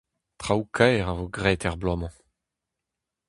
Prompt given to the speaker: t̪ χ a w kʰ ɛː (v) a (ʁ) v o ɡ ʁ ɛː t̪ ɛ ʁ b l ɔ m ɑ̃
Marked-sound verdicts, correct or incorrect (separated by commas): incorrect, incorrect